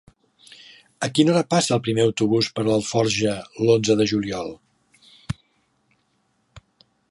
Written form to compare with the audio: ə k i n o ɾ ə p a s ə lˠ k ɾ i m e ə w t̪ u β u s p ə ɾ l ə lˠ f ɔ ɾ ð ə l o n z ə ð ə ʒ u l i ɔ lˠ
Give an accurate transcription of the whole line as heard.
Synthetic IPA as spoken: ə k i n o ɾ ə p a s ə lˠ p ɾ i m e ə w t̪ u β u s p ə ɾ l ə lˠ f ɔ ɾ ʒ ə l o n z ə ð ə ʒ u l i ɔ lˠ